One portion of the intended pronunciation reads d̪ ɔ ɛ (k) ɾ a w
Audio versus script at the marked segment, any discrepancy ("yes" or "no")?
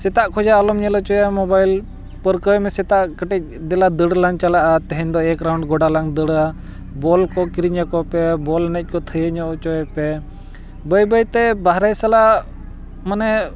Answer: no